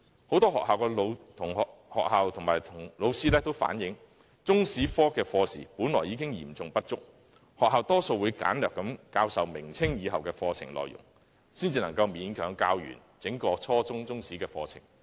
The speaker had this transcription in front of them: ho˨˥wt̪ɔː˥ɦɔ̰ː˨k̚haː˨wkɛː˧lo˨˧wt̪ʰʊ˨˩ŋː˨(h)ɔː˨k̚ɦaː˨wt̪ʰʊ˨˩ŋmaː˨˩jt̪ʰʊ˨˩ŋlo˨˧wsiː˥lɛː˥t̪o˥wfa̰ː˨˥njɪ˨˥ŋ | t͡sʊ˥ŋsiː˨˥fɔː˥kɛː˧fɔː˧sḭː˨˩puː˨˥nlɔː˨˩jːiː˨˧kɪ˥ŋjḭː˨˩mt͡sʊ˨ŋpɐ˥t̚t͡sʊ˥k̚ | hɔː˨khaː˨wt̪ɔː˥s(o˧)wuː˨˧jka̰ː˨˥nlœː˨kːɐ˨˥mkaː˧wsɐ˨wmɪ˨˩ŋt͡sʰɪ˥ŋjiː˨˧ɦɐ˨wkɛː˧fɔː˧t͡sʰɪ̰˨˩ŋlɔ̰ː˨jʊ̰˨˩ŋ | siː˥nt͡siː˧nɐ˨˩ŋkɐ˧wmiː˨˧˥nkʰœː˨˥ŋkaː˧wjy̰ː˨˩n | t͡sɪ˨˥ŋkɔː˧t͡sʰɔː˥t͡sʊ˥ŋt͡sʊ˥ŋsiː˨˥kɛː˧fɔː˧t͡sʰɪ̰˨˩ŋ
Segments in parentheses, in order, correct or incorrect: correct, correct

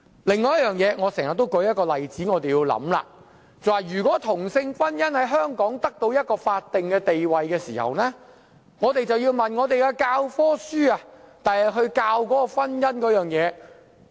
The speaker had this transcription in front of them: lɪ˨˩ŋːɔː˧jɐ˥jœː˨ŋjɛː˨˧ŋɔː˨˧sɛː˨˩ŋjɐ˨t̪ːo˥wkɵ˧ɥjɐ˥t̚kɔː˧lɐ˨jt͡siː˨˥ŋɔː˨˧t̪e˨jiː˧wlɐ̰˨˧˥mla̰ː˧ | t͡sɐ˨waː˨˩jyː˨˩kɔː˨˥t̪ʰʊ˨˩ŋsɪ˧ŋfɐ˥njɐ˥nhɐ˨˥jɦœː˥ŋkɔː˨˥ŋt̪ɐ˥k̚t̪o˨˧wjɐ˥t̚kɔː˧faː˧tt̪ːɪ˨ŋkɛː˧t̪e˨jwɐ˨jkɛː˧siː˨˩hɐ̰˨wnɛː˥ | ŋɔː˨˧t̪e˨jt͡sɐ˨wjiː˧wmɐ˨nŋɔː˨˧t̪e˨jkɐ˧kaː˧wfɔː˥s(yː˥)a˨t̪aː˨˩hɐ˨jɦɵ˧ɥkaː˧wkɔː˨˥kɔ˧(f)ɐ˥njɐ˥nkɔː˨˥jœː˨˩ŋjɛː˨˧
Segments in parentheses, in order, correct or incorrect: correct, correct

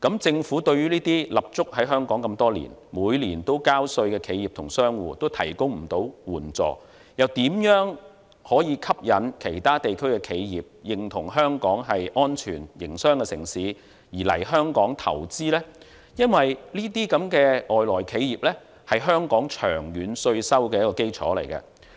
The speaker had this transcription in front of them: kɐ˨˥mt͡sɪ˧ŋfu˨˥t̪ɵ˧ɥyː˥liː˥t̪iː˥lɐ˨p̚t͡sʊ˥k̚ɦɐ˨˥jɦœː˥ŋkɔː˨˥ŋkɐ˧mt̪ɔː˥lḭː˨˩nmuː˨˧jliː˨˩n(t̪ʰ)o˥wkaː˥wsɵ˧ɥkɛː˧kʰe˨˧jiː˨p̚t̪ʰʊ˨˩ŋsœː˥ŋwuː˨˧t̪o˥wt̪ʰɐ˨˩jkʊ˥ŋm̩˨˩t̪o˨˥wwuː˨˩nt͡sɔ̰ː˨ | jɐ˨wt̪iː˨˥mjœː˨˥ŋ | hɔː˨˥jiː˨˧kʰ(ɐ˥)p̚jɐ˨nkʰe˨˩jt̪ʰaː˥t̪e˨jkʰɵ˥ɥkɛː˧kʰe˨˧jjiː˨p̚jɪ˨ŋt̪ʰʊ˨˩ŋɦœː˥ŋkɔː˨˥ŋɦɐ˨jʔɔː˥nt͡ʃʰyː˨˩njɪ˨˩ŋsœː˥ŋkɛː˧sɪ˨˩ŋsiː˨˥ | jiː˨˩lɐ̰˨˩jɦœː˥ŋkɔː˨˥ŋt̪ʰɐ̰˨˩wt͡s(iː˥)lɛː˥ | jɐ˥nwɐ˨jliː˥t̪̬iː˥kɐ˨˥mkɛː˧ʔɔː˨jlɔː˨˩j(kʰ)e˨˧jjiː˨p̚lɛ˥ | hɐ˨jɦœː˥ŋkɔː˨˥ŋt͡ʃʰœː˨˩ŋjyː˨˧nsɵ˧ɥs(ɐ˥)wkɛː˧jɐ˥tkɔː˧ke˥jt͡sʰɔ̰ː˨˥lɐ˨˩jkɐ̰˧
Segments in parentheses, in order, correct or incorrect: incorrect: t̪, correct, correct, correct, correct

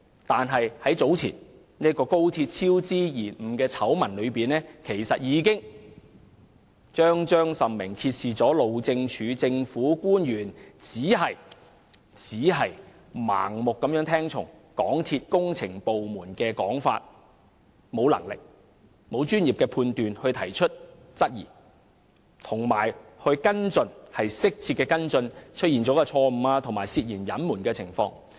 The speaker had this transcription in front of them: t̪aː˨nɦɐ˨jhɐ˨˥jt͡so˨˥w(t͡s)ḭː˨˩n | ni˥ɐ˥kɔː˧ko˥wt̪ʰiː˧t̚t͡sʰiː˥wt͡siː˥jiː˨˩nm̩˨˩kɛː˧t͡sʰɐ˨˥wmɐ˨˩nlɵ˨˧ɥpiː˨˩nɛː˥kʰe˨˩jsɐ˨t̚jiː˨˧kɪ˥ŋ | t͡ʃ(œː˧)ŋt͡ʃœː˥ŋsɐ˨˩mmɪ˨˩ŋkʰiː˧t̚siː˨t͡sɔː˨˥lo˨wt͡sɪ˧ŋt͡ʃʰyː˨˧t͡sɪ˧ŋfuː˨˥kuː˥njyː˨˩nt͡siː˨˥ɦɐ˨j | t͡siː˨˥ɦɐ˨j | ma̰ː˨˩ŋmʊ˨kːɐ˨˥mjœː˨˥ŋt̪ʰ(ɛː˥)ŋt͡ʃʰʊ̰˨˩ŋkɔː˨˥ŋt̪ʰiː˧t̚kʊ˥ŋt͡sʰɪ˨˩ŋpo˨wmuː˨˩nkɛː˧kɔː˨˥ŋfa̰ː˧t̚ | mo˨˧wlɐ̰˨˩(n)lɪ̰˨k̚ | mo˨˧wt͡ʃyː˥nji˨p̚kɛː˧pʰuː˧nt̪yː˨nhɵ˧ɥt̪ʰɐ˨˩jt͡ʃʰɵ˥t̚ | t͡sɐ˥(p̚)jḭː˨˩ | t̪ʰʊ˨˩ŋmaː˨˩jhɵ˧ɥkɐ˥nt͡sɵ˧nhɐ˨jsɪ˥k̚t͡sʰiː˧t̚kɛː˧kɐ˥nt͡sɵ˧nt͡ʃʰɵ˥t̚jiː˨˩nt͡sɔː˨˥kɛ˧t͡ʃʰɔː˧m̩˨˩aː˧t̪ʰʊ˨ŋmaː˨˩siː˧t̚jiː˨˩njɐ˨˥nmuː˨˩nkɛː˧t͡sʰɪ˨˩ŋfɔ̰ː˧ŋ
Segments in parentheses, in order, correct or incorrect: incorrect: t͡sʰ, incorrect: œː˥, correct, incorrect: ŋ, incorrect: t̚

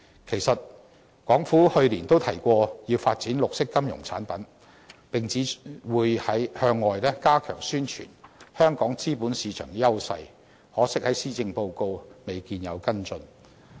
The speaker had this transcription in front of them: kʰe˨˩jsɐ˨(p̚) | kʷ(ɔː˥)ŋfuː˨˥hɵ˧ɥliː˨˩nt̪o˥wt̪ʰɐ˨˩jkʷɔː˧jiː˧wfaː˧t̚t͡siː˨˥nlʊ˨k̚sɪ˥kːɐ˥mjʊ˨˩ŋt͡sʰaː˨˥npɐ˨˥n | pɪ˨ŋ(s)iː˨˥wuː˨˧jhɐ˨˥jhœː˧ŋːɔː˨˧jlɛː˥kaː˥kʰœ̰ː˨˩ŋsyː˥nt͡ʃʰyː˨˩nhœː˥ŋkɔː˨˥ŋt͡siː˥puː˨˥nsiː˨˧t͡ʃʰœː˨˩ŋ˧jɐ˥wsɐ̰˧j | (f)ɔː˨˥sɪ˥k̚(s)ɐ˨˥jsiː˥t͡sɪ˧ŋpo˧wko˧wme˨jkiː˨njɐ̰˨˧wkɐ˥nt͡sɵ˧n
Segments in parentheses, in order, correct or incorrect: incorrect: t̚, incorrect: ɔː˨˥, incorrect: t͡s, incorrect: h, incorrect: h

